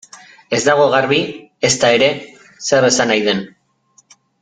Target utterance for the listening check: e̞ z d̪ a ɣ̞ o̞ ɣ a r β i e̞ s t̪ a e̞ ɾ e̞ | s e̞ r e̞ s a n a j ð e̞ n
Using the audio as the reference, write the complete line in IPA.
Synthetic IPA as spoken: e̞ z d̪ a ɣ̞ o̞ ɣ a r β i e̞ s t̪ a e̞ ɾ e̞ | s e̞ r e̞ s a n a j ð e̞ n